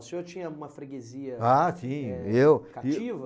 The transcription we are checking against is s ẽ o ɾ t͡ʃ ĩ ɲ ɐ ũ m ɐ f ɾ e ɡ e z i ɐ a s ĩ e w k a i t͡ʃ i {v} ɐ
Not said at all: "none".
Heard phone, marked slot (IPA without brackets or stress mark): v